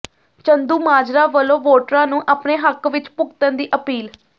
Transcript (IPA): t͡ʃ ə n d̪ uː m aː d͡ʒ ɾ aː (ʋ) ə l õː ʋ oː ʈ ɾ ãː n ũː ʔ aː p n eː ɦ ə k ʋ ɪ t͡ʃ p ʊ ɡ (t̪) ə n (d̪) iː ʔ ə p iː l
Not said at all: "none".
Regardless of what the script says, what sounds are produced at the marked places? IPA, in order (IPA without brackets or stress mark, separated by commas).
ʋ, t̪, d̪